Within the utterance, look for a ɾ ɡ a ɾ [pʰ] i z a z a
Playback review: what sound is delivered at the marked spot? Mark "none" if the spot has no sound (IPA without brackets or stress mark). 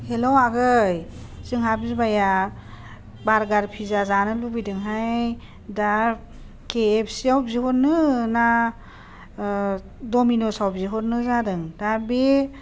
pʰ